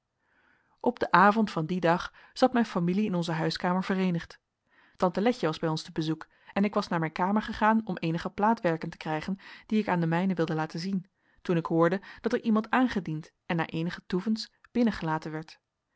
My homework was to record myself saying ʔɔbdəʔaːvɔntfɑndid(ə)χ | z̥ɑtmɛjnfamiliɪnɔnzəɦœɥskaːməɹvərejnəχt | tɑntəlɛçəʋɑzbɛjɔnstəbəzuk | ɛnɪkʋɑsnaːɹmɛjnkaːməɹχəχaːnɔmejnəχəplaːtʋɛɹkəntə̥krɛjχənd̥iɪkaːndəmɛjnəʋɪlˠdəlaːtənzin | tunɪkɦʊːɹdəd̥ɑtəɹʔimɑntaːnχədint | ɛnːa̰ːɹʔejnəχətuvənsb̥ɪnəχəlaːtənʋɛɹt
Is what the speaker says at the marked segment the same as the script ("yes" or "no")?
no